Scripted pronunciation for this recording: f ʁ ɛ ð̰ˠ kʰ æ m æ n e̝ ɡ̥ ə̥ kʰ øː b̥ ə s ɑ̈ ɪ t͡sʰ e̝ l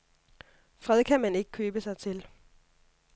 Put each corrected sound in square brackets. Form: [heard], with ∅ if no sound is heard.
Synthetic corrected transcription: f ʁ ɛ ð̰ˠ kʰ æ m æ n e̝ ɡ̥ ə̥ kʰ øː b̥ ə s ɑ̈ ɪ t͡sʰ e̝ l